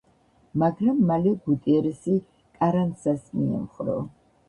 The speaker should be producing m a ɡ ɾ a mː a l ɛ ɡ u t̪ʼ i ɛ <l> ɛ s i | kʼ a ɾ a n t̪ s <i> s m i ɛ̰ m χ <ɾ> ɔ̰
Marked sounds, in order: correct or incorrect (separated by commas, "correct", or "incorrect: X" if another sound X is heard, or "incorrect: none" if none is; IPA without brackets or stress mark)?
incorrect: ɾ, incorrect: a, correct